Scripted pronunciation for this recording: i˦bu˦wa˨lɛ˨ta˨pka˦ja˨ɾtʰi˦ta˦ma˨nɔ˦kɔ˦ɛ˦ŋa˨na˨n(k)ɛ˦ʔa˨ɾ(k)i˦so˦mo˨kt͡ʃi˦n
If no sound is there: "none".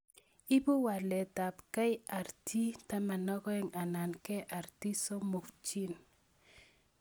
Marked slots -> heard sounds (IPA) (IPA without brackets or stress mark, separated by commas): k, t